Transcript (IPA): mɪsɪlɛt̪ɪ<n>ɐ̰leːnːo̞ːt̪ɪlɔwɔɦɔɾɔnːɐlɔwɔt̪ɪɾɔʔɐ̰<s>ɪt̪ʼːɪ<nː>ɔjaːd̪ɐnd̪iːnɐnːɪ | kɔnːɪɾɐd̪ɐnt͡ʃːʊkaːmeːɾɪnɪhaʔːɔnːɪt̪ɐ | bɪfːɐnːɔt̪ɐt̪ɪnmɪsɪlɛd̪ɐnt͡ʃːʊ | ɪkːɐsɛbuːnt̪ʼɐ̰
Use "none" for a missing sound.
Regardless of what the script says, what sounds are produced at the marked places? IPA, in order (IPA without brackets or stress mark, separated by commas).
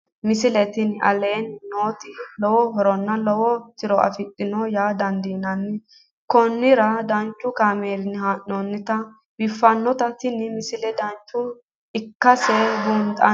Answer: n, f, n